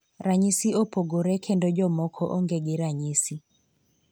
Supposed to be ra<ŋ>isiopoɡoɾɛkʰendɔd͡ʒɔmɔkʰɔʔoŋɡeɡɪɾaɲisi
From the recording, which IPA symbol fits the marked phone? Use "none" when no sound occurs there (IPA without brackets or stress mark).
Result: ɲ